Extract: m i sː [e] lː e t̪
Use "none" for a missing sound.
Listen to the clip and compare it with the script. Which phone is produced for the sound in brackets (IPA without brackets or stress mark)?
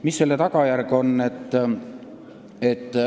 e